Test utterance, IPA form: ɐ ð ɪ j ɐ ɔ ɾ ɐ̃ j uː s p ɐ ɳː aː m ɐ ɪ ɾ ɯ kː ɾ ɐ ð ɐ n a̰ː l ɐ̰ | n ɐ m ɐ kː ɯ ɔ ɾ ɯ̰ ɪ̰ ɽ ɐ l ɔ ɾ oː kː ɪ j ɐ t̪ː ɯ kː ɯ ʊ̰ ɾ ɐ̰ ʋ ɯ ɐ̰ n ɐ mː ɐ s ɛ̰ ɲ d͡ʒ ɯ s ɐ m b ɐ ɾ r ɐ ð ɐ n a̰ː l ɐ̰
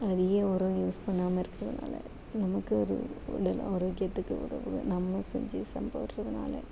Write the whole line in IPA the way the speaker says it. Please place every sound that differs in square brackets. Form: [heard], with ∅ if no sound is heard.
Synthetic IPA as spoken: ɐ ð ɪ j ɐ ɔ ɾ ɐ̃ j uː s p ɐ ɳː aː m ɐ ɪ ɾ ɯ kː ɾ ɐ ð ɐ n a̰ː l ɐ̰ | n ɐ m ɐ kː ɯ ɔ ɾ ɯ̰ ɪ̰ ɽ ɐ l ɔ ɾ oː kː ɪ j ɐ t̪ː ɯ kː ɯ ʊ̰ ɾ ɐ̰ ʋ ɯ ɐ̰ n ɐ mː ɐ s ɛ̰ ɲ d͡ʒ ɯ s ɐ m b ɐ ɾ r ɐ ð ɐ n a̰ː l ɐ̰